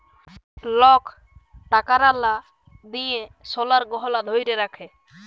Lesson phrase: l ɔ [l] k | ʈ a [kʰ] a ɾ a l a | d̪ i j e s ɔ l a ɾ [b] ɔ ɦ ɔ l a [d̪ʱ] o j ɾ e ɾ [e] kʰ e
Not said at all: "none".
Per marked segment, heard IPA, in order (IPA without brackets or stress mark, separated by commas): none, k, ɡ, d̪ʱ, a